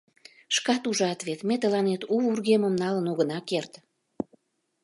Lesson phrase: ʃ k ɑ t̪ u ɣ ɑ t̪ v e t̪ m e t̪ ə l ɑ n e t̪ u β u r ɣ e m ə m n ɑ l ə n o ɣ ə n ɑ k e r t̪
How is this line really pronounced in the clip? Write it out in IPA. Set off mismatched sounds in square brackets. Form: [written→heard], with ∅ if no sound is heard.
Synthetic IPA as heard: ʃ k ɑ t̪ u [ɣ→ʒ] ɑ t̪ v e t̪ m e t̪ ə l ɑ n e t̪ u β u r ɣ e m ə m n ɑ l ə n o ɣ ə n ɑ k e r t̪